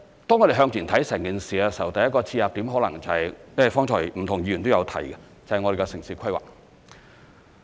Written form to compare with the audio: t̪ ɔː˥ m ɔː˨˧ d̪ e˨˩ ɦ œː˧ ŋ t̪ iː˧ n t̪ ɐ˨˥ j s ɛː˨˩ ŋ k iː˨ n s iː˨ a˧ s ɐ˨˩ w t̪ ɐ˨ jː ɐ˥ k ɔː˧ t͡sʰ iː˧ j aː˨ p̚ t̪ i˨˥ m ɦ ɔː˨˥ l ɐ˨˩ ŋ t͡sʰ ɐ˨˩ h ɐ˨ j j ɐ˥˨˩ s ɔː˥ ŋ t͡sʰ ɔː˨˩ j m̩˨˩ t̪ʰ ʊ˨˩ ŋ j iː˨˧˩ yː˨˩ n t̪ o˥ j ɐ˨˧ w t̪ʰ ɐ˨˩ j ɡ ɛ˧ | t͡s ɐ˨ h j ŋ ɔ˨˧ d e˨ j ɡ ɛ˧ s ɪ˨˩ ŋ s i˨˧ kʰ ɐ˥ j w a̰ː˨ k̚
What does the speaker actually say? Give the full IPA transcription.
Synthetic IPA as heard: t̪ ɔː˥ ŋ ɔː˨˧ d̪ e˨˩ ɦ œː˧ ŋ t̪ iː˨˩ n t̪ʰ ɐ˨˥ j s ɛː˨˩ ŋ k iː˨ n s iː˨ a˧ s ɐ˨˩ w t̪ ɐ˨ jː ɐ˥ k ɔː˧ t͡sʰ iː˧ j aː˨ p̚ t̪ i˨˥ m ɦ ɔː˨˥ l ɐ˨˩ ŋ t͡s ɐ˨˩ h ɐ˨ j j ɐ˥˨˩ f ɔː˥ ŋ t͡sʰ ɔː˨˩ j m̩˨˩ t̪ʰ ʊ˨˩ ŋ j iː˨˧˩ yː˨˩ n t̪ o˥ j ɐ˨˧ w t̪ʰ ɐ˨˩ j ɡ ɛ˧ | t͡s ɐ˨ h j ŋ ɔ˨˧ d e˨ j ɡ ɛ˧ s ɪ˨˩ ŋ s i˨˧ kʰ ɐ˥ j w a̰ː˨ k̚